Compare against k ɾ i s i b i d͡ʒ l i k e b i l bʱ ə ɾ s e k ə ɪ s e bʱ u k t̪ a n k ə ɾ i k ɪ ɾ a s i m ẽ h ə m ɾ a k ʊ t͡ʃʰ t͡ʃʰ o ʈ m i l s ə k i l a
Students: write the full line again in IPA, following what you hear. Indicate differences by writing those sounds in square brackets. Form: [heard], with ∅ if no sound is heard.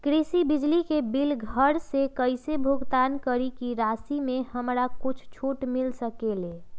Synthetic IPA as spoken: k ɾ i s i b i d͡ʒ l i k e b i l [ɡʱ] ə ɾ s e k ə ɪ s e bʱ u [ɡ] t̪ a n k ə ɾ i k [i] ɾ a s i m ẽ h ə m ɾ a k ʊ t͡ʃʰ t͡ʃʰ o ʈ m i l s ə k [e] l [e]

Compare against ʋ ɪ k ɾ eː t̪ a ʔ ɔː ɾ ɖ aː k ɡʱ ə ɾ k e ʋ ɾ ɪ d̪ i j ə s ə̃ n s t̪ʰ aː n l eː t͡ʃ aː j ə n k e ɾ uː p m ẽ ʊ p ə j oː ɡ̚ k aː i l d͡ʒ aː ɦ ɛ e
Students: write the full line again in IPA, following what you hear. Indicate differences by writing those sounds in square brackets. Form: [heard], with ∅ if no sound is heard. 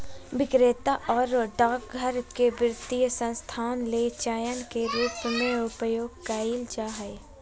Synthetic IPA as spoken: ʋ ɪ k ɾ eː t̪ a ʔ ɔː ɾ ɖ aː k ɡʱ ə ɾ k e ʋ ɾ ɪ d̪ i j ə s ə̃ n s t̪ʰ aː n l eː t͡ʃ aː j ə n k e ɾ uː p m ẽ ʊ p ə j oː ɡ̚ k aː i l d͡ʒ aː ɦ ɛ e

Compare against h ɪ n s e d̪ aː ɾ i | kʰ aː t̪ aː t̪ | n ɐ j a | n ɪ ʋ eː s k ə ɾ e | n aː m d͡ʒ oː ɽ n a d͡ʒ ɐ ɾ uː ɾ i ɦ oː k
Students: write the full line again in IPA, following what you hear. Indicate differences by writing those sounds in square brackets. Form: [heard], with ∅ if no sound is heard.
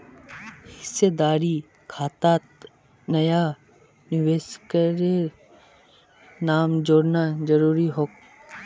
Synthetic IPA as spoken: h ɪ [∅] s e d̪ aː ɾ i | kʰ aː t̪ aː t̪ | n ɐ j a | n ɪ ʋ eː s k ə ɾ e | n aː m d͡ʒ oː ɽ n a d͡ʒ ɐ ɾ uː ɾ i ɦ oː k

